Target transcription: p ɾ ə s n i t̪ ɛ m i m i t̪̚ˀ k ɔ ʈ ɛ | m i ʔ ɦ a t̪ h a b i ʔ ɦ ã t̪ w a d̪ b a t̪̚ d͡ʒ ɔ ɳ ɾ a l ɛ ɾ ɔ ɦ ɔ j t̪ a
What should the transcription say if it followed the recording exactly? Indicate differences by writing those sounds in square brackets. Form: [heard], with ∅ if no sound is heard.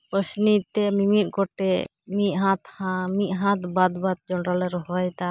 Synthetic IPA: p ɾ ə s n i t̪ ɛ m i m i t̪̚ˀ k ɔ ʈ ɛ | m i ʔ ɦ a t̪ h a [m] i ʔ ɦ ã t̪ [b] a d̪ b a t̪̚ d͡ʒ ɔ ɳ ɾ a l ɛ ɾ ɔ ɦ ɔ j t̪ a